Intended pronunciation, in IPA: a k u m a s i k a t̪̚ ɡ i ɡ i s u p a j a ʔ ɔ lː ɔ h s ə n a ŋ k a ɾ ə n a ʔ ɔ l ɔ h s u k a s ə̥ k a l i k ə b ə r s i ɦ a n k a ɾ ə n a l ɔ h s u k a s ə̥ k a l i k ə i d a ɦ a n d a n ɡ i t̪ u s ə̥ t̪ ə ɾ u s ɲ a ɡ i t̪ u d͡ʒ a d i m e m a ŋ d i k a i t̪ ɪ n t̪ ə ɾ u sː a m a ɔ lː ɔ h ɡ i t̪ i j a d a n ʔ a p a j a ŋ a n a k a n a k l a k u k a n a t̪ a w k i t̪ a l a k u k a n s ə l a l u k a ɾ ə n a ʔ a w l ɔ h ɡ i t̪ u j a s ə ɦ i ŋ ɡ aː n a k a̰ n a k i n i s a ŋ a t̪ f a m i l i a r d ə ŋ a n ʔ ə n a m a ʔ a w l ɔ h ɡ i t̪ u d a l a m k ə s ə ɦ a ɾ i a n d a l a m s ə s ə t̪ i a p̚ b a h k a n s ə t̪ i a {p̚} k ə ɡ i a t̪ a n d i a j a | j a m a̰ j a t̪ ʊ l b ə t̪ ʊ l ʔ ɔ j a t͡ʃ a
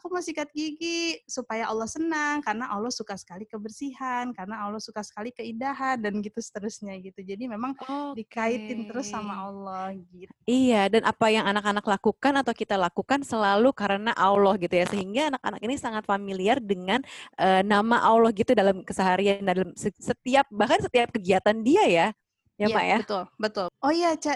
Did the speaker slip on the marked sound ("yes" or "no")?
no